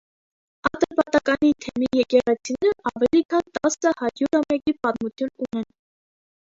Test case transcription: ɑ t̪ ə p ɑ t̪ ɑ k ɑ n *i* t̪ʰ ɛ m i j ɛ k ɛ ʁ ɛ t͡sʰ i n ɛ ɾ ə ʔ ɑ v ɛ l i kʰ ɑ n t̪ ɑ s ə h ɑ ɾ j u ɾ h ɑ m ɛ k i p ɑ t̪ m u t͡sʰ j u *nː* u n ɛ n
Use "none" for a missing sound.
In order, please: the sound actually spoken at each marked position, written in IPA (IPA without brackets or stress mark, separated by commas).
i, n